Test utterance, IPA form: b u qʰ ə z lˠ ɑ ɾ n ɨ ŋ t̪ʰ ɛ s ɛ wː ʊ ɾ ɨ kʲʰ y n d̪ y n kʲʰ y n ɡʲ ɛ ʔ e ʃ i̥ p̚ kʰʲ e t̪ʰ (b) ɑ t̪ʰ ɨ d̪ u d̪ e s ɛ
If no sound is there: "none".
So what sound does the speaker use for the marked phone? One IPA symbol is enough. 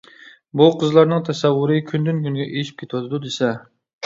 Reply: w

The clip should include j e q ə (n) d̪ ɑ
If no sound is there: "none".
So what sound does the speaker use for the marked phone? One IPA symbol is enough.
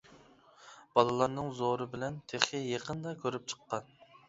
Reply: n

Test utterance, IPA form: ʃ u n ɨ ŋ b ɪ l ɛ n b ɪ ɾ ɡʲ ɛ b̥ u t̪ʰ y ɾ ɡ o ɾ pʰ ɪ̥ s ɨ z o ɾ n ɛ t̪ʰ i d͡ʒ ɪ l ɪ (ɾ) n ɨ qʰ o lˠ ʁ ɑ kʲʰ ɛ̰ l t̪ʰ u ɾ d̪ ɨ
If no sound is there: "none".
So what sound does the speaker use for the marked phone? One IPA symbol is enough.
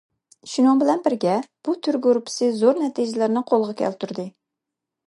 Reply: ɾ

